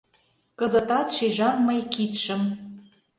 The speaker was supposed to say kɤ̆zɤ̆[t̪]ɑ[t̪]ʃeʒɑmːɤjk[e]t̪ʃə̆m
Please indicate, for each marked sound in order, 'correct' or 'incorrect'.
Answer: correct, correct, incorrect: i

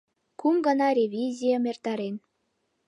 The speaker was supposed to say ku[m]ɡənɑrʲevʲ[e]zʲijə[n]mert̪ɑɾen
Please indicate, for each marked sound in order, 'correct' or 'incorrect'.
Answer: correct, incorrect: i, incorrect: none

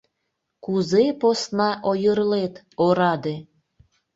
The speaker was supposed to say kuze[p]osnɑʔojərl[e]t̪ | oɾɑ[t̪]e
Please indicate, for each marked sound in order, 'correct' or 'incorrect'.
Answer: correct, correct, incorrect: d̪

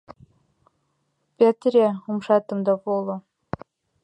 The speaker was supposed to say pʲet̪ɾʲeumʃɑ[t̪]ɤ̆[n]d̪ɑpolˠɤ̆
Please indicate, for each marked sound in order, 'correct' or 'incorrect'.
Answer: correct, incorrect: m

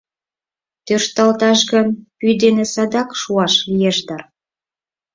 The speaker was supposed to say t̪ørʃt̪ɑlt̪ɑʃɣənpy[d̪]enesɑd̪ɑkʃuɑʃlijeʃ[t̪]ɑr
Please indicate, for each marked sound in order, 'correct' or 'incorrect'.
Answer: correct, incorrect: d̪

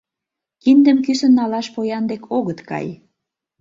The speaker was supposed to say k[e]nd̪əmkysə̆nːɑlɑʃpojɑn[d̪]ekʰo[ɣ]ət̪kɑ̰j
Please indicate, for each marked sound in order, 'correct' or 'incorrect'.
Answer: incorrect: i, correct, correct

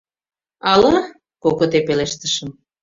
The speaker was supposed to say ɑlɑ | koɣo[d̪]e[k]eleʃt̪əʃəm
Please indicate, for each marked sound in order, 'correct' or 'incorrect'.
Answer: incorrect: t̪, incorrect: p

